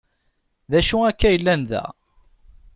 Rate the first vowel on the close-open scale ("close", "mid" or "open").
open